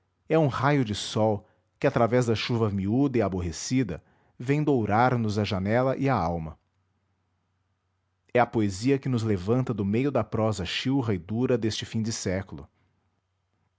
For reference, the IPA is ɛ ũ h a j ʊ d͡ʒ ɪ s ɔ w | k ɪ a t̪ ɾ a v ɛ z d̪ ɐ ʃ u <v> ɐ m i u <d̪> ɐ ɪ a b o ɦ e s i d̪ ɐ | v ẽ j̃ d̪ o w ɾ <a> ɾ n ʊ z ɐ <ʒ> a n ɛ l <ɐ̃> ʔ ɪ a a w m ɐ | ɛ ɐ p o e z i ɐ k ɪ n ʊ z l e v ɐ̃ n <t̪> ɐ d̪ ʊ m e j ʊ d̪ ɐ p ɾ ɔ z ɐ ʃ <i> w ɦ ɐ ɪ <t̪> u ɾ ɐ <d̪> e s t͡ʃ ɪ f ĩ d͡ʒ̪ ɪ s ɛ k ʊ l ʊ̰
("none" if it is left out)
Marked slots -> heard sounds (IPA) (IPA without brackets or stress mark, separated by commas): v, d̪, a, ʒ, ɐ, t̪, i, d̪, d̪